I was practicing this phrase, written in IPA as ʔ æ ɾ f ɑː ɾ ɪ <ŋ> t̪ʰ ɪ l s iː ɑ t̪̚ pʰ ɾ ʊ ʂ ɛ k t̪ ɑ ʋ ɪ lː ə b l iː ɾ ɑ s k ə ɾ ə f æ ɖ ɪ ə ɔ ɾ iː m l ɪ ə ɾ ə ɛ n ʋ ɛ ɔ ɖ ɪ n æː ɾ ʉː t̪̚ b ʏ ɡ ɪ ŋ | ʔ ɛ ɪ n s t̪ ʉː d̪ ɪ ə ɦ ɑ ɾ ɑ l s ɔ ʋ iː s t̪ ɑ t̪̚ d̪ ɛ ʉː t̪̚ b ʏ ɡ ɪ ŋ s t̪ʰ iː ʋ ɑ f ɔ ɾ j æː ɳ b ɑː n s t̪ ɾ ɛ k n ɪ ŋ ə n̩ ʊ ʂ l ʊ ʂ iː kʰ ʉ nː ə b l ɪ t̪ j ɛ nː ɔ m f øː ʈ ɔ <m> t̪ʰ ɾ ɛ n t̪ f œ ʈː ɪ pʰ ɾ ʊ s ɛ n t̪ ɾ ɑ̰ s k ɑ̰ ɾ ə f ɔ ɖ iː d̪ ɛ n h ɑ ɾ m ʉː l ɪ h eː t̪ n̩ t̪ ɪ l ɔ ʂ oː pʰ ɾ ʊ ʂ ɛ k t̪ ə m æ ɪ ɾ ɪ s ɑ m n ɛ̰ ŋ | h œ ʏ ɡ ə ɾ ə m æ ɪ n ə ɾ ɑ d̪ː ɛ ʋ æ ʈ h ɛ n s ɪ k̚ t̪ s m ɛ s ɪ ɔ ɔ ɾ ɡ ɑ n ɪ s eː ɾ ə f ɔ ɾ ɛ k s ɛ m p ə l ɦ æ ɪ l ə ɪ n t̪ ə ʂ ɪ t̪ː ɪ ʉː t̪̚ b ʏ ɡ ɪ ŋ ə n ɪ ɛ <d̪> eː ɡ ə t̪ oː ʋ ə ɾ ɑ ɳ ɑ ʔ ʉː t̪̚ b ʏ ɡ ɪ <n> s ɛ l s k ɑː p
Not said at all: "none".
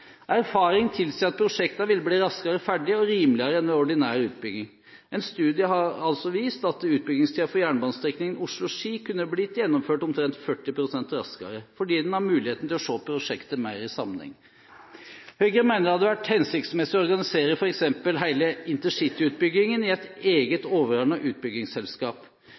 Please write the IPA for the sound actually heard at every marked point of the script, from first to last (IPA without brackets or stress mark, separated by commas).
ŋ, m, t̪, ŋ